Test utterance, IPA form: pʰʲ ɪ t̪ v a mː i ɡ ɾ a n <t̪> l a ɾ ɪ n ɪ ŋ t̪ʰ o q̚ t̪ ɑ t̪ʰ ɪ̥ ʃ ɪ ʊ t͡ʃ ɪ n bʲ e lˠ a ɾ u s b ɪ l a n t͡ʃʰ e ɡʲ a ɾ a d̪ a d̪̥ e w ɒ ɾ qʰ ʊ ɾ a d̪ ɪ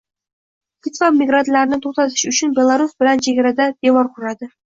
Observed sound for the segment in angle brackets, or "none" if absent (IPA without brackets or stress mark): t̪